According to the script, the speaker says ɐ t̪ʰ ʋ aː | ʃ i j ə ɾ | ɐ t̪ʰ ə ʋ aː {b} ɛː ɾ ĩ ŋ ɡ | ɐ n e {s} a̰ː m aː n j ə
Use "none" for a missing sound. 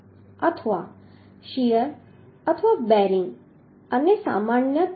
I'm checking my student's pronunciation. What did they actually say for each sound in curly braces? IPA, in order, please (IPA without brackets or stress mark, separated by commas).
b, s